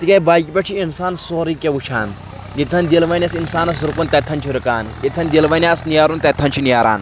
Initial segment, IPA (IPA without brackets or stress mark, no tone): t̪